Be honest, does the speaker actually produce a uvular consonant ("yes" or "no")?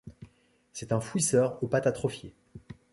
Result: yes